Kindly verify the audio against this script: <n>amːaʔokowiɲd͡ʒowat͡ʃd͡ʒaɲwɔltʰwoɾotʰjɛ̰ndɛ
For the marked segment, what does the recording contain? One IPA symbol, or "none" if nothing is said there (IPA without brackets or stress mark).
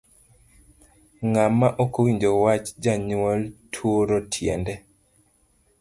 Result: ŋ